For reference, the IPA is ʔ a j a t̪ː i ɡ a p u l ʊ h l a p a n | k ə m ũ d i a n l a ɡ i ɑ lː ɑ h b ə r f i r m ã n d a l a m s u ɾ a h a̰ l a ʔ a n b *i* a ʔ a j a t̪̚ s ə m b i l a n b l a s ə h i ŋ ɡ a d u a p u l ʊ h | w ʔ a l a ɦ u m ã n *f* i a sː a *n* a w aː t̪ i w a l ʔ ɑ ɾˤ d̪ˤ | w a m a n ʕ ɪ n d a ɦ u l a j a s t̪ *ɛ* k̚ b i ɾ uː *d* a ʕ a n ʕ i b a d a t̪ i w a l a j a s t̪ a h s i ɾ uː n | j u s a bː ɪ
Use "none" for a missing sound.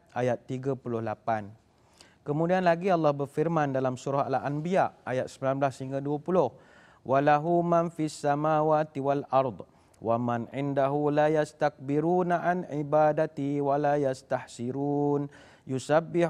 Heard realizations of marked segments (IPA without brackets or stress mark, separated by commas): i, f, m, a, n